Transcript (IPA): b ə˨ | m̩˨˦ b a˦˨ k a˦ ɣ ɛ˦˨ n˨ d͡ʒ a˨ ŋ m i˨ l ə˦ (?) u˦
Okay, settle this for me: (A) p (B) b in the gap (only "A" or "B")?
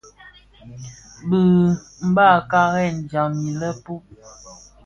A